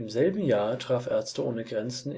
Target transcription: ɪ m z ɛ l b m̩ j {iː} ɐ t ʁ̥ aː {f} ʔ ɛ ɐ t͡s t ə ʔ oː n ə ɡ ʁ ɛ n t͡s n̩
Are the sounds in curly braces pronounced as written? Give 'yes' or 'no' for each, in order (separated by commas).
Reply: no, yes